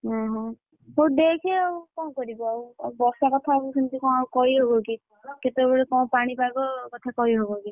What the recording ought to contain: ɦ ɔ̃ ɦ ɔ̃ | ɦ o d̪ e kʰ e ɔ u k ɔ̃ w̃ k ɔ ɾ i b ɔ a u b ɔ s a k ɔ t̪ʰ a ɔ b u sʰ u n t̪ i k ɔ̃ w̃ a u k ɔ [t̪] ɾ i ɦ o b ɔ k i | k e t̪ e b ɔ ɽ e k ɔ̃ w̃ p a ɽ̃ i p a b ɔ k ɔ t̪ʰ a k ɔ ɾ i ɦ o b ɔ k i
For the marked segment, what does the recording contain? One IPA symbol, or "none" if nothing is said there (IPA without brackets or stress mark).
none